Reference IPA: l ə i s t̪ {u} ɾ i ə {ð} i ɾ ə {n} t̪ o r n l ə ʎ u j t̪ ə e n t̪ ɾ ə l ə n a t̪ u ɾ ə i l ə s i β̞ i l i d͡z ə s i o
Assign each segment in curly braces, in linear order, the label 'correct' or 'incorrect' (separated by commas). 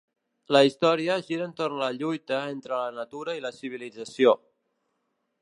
incorrect, incorrect, correct